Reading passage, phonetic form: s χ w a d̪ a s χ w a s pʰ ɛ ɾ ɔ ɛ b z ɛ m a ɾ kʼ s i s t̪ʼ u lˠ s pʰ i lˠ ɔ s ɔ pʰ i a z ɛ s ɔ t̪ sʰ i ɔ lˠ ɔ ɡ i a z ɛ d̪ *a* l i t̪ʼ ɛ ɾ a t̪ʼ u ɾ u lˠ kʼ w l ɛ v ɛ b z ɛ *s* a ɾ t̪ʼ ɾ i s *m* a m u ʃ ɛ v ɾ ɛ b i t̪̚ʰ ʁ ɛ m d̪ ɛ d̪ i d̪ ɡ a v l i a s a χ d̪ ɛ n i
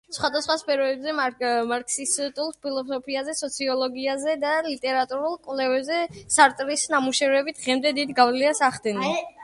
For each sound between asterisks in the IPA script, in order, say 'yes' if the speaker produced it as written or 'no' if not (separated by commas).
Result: yes, yes, no